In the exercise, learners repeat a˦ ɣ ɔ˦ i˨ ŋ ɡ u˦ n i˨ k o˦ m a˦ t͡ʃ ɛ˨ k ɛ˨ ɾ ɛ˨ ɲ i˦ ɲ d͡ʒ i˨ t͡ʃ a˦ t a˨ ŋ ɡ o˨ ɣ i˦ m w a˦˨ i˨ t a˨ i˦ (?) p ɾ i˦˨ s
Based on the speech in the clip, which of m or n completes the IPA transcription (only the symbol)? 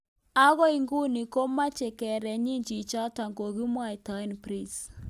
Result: n